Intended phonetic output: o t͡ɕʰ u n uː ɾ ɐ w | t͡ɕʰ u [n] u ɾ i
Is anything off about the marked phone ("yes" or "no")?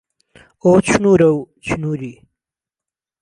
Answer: no